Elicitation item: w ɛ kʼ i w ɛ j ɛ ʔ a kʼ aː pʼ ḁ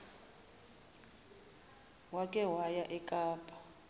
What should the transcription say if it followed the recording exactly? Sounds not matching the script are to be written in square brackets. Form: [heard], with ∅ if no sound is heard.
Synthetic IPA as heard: w [a] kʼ [ɛ] w [a] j [a] ʔ [ɛ] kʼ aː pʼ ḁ